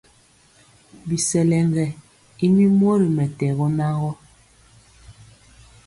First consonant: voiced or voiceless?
voiced